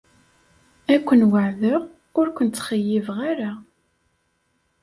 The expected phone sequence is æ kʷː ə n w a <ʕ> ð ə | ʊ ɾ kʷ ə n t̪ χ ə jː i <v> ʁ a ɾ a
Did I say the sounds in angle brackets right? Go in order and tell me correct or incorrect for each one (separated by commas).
correct, correct